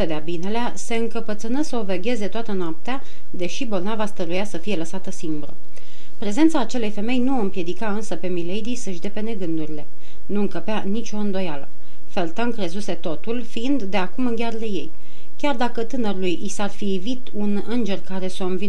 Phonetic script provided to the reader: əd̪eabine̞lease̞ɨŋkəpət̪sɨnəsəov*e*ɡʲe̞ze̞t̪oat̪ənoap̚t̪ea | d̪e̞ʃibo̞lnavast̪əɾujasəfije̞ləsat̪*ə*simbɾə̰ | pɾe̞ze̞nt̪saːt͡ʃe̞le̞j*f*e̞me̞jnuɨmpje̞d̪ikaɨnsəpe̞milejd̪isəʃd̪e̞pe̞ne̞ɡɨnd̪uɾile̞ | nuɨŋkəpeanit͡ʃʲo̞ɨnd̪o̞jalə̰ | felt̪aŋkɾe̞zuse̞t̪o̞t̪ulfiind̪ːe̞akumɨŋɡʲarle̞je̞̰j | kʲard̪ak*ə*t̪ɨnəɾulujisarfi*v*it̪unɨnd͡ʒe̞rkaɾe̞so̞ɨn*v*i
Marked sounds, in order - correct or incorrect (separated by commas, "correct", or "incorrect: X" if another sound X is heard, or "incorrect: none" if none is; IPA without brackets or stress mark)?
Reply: correct, correct, correct, correct, correct, correct